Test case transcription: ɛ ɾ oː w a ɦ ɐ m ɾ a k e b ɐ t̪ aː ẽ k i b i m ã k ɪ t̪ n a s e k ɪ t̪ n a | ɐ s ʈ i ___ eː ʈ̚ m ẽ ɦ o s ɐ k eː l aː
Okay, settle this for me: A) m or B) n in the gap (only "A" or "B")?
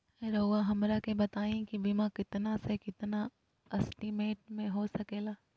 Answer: A